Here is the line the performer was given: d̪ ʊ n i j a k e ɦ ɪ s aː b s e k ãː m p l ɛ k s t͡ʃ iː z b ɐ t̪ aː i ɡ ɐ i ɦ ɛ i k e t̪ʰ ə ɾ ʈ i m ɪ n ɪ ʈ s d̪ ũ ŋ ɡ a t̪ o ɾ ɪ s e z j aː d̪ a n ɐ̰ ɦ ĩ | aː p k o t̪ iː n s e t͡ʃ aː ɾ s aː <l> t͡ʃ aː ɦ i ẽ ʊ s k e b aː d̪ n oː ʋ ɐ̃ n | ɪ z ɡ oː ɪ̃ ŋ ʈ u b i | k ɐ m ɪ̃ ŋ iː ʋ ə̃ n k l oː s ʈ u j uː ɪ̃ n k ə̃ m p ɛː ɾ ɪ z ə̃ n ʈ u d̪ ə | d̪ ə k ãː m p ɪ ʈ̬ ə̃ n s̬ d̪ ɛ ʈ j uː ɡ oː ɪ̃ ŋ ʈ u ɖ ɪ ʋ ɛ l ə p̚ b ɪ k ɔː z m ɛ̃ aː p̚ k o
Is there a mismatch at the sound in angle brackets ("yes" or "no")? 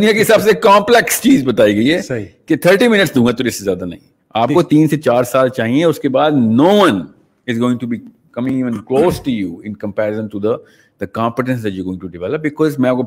no